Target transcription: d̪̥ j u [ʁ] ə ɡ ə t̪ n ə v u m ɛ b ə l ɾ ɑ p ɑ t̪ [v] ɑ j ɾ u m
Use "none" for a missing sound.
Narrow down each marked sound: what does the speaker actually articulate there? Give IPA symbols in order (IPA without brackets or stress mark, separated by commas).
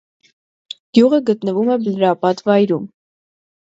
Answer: ʁ, v